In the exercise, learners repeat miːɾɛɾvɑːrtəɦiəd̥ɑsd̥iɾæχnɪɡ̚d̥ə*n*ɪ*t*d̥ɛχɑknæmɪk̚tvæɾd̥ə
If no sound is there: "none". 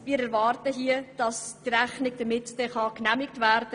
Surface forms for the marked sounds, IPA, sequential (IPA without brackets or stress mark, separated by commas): m, t